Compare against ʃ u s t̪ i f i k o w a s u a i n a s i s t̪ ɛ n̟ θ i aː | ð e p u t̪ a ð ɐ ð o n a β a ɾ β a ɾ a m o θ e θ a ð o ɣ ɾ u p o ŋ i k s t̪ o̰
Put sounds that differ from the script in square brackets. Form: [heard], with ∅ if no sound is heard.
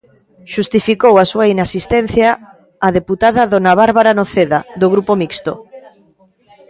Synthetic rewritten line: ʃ u s t̪ i f i k o w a s u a i n a s i s t̪ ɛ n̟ θ [j] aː | ð e p u t̪ a ð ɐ ð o n a β a ɾ β a ɾ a [n] o θ e [ð] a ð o ɣ ɾ u p o [m] i k s t̪ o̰